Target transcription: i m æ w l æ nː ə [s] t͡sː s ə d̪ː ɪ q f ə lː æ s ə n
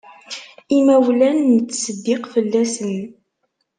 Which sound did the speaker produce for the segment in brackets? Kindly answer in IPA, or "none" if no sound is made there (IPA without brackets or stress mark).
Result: none